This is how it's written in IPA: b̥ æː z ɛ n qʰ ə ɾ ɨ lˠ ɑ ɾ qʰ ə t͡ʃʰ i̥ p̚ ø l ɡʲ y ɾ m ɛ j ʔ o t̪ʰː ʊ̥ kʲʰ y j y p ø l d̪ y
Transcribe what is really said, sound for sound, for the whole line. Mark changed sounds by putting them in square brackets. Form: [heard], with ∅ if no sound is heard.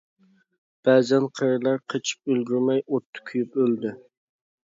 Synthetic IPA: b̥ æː z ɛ n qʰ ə ɾ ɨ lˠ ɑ ɾ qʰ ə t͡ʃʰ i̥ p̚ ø l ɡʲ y ɾ m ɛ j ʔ o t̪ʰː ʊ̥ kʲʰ y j y p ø l d̪ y

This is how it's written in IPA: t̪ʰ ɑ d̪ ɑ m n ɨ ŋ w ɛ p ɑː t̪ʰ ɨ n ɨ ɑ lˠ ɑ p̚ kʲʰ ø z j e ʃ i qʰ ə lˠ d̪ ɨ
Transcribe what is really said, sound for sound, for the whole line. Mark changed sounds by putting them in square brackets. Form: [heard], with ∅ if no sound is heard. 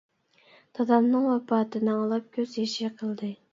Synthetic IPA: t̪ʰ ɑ d̪ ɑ m n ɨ ŋ w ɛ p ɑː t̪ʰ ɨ n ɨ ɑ lˠ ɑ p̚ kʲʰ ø z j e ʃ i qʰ ə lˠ d̪ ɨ

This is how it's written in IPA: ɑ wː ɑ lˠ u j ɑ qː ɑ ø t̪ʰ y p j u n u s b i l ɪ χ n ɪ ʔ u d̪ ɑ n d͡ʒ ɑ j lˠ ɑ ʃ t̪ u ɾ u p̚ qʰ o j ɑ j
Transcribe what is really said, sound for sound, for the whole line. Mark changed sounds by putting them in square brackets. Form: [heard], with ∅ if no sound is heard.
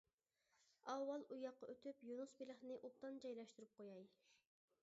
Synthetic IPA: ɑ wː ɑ lˠ u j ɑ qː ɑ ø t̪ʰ y p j u n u s b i l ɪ χ n ɪ ʔ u [t̪] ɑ n d͡ʒ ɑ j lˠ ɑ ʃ t̪ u ɾ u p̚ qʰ o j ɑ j

